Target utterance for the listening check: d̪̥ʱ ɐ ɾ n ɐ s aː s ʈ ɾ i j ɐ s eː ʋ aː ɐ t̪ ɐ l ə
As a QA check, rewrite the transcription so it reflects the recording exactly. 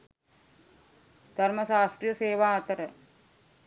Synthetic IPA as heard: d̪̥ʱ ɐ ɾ m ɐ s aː s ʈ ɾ i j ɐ s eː ʋ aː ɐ t̪ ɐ ɾ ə